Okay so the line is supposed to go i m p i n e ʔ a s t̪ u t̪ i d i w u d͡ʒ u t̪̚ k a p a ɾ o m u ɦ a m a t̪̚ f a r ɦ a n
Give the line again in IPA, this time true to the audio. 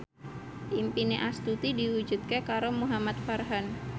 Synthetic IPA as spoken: i m p i n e ʔ a s t̪ u t̪ i d i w u d͡ʒ u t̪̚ k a k a ɾ o m u ɦ a m a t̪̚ f a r ɦ a n

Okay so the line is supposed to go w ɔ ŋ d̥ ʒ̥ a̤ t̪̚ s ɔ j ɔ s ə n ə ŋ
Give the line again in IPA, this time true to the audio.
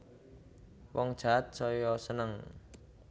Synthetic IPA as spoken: w ɔ ŋ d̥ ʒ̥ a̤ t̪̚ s ɔ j ɔ s ə n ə ŋ

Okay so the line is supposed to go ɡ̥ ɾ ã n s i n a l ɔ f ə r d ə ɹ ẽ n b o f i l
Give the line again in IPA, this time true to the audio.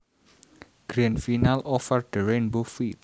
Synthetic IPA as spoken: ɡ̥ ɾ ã n f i n a l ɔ f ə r d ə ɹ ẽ n b o f i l

